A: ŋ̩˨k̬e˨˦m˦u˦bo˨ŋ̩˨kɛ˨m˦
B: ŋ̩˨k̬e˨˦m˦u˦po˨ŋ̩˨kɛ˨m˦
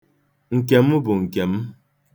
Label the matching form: A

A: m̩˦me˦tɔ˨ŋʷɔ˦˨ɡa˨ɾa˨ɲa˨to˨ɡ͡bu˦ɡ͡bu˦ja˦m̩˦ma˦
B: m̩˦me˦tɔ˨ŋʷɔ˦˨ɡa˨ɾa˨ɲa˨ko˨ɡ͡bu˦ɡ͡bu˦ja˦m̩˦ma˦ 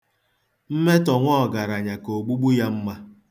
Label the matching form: B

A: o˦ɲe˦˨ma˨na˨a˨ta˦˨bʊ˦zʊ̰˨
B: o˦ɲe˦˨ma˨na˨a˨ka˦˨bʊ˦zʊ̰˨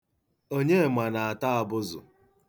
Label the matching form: A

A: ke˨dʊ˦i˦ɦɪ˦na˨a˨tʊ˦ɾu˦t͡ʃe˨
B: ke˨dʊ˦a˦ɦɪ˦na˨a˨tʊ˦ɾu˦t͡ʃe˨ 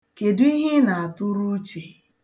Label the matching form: A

